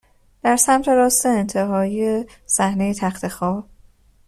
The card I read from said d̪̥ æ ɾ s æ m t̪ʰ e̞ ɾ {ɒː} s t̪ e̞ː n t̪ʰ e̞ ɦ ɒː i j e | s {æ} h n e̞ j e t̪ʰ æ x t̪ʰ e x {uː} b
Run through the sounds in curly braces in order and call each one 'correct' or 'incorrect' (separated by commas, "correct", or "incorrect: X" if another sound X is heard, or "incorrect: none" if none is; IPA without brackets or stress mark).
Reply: correct, correct, incorrect: ɒː